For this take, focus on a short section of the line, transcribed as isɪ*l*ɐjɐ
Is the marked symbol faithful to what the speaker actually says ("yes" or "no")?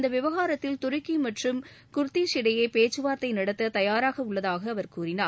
no